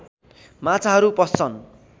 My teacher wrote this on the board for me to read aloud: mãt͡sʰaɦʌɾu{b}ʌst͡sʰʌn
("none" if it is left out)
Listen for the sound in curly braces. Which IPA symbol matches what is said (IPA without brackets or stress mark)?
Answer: p